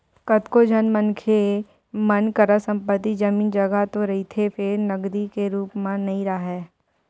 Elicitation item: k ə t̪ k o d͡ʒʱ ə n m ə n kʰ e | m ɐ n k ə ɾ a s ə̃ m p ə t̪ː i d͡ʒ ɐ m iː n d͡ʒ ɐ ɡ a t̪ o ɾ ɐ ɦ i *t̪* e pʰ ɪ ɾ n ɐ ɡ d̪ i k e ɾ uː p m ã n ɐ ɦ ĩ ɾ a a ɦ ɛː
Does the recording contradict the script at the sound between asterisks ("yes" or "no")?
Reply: yes